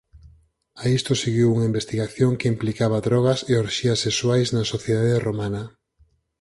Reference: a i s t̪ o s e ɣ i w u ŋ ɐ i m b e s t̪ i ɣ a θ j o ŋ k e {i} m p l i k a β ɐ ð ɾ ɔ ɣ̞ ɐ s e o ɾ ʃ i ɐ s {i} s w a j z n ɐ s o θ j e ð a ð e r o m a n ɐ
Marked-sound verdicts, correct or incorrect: correct, incorrect: e

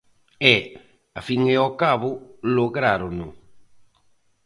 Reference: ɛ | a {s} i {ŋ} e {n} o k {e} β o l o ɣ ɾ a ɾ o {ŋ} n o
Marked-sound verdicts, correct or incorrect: incorrect: f, correct, incorrect: none, incorrect: a, incorrect: none

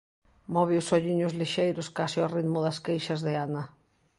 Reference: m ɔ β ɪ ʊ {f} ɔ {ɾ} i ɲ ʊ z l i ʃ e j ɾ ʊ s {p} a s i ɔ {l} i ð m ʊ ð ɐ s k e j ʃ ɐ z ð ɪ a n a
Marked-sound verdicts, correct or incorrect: incorrect: s, incorrect: ʎ, incorrect: k, incorrect: r

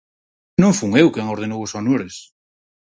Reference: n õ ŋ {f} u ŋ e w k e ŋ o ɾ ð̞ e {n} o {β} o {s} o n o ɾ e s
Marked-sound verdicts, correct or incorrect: correct, correct, incorrect: w, correct

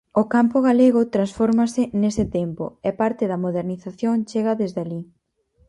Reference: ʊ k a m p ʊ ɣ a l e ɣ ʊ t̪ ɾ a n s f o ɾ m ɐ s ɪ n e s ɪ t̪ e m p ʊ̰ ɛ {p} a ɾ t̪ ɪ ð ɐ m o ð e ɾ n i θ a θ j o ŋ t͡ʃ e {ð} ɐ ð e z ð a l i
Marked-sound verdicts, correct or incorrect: correct, incorrect: ɣ

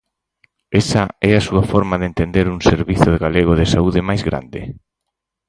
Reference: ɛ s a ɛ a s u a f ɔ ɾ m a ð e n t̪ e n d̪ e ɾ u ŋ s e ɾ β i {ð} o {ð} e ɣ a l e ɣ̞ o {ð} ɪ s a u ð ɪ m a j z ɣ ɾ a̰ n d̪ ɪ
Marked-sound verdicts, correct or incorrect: incorrect: θ, correct, correct

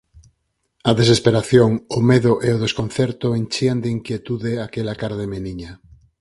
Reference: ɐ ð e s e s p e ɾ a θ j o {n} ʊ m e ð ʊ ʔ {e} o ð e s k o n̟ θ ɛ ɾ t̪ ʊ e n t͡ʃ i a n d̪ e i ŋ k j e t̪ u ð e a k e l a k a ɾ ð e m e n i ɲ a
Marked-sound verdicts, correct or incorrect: incorrect: ŋ, correct

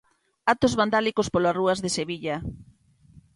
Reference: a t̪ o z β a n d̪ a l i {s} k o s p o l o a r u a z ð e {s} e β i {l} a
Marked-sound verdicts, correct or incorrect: incorrect: none, correct, incorrect: ʎ

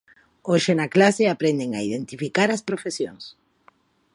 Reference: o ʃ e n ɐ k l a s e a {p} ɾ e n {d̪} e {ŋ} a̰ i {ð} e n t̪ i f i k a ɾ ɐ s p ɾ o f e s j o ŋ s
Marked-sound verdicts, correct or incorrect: correct, correct, correct, correct

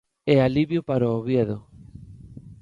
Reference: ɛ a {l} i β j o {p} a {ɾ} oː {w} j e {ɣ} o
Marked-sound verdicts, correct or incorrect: correct, correct, correct, incorrect: β, incorrect: ð

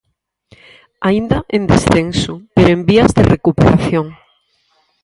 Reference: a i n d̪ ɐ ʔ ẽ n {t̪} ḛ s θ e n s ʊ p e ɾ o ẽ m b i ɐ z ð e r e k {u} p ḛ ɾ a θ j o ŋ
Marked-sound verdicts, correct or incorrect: incorrect: d̪, correct

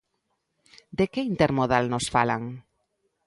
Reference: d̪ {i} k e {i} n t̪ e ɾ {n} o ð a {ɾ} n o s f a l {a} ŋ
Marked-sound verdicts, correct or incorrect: incorrect: e, correct, incorrect: m, incorrect: l, correct

